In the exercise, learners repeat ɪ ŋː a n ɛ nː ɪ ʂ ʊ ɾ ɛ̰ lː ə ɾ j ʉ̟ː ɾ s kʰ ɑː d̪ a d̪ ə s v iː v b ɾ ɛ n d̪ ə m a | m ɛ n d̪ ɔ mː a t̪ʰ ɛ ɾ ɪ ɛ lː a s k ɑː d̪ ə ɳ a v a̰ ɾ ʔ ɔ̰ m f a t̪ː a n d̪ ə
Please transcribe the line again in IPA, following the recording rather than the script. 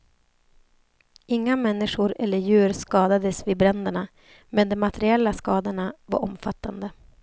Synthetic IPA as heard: ɪ ŋː a m ɛ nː ɪ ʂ ʊ ɾ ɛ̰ lː ə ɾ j ʉ̟ː ɾ s k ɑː d̪ a d̪ ə s v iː b ɾ ɛ n d̪ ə ɳ a | m ɛ n d̪ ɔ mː a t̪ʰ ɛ ɾ ɪ ɛ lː a s k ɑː d̪ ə ɳ a v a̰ ɾ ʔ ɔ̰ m f a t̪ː a n d̪ ə